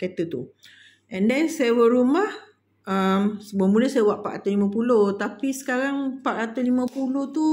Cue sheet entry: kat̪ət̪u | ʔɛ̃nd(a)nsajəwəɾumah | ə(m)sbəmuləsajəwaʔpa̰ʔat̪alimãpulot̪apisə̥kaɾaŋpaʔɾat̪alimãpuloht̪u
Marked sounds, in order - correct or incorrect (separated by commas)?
incorrect, correct